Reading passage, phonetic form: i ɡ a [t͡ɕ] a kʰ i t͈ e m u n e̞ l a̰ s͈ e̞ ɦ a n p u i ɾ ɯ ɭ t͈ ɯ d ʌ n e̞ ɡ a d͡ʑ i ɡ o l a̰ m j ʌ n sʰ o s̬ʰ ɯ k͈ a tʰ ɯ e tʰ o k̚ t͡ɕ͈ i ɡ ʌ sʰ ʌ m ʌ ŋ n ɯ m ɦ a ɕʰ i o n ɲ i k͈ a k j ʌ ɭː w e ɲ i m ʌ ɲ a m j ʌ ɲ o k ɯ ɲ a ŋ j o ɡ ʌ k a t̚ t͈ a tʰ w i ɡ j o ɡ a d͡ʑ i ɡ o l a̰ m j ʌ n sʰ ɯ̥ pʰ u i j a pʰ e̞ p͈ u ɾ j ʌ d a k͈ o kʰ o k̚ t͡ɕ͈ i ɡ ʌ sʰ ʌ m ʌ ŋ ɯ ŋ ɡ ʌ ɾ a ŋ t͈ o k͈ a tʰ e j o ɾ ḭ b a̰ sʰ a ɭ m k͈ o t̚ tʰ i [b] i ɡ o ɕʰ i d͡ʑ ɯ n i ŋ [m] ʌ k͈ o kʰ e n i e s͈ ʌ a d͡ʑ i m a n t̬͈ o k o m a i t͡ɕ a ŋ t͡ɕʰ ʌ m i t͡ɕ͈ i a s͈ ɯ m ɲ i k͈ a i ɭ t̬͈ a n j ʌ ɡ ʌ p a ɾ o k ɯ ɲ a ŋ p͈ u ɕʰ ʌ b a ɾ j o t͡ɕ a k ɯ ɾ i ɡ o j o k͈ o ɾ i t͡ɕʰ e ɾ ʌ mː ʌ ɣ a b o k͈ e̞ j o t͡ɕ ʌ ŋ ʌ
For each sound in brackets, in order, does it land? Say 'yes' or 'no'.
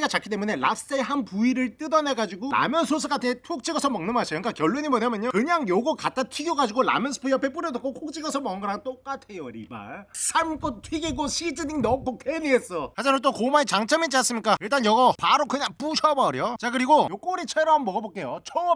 yes, no, no

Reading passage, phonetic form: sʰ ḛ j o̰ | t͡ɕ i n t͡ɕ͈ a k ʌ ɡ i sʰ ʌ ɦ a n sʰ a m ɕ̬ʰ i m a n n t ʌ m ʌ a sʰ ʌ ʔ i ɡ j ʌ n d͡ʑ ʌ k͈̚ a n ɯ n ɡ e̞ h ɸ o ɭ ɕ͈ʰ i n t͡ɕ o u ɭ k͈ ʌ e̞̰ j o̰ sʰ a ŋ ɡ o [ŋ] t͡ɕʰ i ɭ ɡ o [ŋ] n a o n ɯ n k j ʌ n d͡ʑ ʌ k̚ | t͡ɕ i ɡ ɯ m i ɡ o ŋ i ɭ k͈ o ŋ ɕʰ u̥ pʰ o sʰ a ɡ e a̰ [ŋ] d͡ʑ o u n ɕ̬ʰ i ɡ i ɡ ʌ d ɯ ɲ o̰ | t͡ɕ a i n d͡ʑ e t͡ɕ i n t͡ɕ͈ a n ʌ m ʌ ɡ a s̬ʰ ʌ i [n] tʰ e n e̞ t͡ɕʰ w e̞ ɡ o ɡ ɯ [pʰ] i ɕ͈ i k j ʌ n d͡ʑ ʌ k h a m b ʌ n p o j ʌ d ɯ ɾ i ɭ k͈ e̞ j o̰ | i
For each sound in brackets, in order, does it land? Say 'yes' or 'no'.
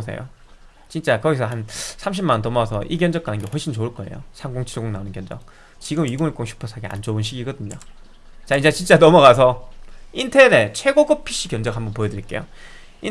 yes, yes, no, yes, yes

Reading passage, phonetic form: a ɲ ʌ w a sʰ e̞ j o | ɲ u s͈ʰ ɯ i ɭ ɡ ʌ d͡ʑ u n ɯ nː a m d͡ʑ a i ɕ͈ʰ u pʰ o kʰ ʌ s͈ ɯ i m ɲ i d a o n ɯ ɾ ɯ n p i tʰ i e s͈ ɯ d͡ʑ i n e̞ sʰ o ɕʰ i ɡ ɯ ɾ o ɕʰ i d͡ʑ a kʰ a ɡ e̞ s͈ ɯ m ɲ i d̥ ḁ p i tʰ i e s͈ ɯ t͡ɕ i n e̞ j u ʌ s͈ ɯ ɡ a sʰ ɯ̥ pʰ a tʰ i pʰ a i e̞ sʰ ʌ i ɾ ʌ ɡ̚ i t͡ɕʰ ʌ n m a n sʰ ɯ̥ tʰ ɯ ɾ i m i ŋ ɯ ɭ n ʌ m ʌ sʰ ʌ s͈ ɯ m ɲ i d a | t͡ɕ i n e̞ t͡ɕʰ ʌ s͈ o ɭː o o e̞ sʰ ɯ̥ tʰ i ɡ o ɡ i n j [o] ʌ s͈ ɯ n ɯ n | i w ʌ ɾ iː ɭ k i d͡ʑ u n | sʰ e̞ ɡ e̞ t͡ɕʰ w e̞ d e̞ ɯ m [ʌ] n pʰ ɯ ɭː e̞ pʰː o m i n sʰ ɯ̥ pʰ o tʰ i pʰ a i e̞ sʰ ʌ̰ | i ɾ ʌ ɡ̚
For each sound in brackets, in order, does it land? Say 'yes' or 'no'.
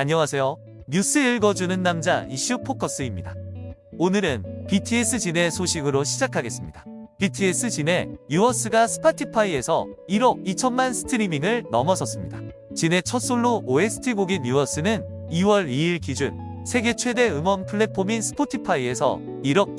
no, yes

